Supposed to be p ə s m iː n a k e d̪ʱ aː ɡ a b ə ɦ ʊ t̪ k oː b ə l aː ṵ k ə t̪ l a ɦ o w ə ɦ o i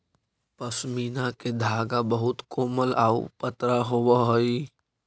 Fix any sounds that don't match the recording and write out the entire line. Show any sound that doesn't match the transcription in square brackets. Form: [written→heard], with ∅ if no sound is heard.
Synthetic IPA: p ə s m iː n a k e d̪ʱ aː ɡ a b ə ɦ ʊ t̪ k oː [b→m] ə l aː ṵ [k→p] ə t̪ [l→ɾ] a ɦ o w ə ɦ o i